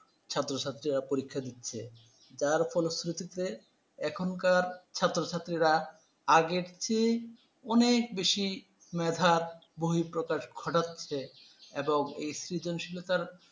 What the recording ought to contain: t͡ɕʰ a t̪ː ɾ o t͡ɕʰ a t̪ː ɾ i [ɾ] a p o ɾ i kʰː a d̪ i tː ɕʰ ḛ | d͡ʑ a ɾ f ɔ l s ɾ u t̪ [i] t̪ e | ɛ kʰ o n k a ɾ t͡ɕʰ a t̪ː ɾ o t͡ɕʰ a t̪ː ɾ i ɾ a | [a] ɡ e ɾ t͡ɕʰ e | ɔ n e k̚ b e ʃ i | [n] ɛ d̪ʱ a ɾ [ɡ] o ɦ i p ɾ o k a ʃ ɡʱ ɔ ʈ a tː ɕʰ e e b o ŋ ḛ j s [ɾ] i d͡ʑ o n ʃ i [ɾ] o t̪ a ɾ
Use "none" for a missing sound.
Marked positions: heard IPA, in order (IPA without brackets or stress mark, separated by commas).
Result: ɾ, i, a, m, b, ɾ, l